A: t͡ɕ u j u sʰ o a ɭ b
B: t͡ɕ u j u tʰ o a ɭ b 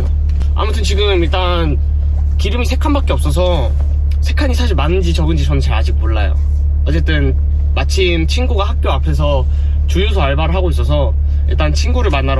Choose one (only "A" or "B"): A